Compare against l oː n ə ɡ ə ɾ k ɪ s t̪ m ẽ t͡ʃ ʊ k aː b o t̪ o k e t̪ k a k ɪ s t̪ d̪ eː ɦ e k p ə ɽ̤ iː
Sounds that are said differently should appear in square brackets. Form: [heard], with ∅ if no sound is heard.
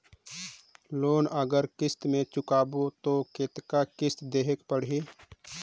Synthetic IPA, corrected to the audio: l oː n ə ɡ ə ɾ k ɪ s t̪ m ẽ t͡ʃ ʊ k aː b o t̪ o k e t̪ k a k ɪ s t̪ d̪ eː ɦ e k p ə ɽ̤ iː